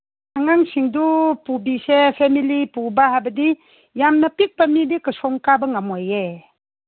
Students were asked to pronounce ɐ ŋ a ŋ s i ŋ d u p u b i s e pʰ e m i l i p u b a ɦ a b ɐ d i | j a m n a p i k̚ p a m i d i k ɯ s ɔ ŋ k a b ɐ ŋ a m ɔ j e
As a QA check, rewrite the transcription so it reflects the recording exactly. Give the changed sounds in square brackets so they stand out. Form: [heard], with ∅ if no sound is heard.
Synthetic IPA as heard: [a] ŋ a ŋ s i ŋ d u p u b i s e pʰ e m i l i p u b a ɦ a b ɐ d i | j a m n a p i k̚ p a m i d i k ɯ s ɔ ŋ k a b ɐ ŋ a m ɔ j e